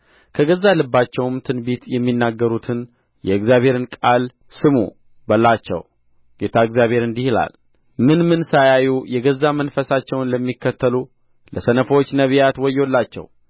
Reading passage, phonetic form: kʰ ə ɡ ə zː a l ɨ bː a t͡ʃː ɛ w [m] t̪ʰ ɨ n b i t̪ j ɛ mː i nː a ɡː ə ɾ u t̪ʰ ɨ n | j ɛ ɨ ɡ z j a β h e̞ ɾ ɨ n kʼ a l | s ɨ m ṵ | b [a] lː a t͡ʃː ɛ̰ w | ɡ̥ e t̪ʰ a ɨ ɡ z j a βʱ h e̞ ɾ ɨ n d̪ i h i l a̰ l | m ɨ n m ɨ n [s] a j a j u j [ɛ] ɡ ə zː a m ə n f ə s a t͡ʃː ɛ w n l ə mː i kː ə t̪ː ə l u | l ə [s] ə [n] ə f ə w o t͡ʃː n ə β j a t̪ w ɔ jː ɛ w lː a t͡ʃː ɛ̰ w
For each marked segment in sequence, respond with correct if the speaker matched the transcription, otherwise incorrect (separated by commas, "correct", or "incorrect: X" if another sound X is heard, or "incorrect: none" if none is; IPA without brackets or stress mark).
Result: correct, incorrect: ə, correct, correct, correct, correct